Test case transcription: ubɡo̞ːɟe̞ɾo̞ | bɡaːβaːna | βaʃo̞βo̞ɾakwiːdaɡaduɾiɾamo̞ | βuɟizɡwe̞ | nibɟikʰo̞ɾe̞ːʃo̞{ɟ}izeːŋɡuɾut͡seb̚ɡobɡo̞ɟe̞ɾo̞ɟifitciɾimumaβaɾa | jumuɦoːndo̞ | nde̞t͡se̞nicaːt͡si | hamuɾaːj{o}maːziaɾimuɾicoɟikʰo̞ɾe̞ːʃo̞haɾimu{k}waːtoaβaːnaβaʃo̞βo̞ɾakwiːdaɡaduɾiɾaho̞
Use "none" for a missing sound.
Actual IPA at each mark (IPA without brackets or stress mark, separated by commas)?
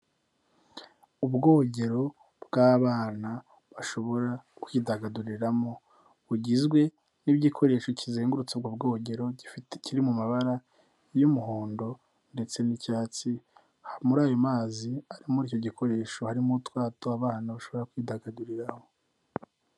c, o, t